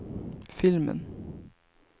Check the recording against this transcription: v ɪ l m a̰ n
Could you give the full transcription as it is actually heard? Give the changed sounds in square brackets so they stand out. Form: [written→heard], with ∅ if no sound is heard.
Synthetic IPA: [v→f] ɪ l m [a̰→ə̰] n